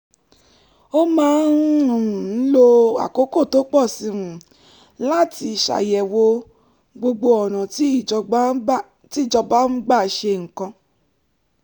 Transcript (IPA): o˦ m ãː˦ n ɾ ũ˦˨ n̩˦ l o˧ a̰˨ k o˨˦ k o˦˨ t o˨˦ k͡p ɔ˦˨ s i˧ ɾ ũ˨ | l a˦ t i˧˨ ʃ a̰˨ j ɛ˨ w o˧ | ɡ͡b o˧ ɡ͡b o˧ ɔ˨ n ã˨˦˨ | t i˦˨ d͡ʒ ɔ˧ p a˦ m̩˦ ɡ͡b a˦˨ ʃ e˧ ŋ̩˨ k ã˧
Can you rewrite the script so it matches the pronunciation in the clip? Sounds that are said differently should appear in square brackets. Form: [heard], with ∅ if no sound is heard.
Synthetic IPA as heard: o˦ m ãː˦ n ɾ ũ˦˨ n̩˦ l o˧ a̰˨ k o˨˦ k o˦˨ t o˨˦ k͡p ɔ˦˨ s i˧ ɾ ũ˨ | l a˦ t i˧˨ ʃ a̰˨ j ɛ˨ w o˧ | ɡ͡b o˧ ɡ͡b o˧ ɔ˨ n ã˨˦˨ | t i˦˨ d͡ʒ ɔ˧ [b] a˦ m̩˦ ɡ͡b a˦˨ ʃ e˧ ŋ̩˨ k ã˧